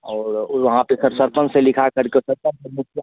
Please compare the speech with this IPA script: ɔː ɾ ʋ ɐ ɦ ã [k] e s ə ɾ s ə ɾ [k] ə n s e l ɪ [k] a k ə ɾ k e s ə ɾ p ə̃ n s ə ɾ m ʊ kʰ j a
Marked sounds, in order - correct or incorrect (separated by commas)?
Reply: incorrect, incorrect, incorrect